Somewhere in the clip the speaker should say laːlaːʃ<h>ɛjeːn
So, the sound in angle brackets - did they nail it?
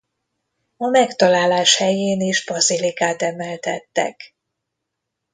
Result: yes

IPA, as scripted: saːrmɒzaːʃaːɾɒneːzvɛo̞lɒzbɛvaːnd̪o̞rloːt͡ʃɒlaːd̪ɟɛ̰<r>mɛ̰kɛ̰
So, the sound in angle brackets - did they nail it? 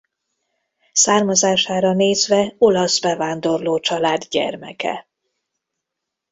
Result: yes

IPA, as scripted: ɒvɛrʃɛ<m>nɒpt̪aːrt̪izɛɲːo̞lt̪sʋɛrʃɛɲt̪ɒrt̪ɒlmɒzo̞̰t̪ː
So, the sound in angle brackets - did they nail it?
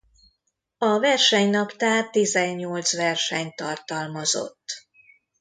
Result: no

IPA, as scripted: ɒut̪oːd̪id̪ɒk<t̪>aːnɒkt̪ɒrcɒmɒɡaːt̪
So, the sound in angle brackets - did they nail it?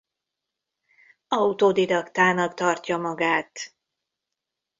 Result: yes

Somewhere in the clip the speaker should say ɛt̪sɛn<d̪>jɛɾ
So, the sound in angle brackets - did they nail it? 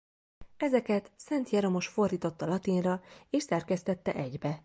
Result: no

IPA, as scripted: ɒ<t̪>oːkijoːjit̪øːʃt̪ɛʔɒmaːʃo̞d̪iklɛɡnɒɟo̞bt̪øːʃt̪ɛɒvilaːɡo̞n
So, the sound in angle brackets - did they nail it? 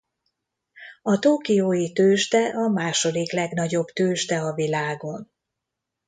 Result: yes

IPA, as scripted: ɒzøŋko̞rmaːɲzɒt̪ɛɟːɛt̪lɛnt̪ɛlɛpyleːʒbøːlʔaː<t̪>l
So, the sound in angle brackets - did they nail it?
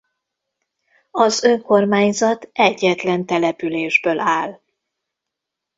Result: no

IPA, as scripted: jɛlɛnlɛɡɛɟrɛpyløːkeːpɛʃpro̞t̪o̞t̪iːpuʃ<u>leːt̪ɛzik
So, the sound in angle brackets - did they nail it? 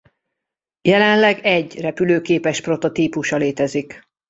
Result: no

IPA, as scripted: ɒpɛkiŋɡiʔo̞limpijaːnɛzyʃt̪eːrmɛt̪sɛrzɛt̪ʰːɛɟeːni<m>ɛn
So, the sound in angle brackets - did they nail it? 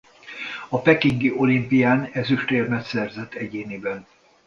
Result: no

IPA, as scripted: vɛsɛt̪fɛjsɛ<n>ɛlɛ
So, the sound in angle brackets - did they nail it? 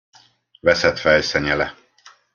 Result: no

